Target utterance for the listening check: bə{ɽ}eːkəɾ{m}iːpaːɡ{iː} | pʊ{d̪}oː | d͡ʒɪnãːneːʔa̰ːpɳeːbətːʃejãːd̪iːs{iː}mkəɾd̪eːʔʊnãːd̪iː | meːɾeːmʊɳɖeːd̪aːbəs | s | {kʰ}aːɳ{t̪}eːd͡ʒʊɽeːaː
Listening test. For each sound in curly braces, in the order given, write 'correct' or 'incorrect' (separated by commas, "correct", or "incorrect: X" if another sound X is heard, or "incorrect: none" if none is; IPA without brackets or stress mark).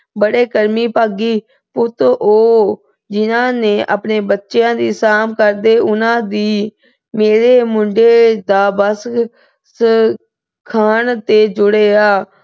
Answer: correct, correct, correct, incorrect: t̪, incorrect: aː, correct, correct